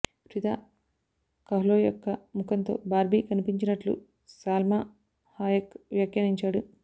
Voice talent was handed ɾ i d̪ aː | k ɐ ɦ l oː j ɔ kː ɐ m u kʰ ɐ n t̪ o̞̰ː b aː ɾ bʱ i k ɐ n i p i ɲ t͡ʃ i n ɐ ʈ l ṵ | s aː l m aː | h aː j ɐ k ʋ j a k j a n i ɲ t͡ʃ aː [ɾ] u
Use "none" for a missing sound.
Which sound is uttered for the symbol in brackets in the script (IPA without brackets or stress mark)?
ɽ